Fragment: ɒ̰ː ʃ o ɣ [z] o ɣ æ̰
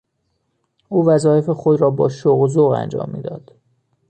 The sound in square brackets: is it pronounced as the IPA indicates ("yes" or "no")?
yes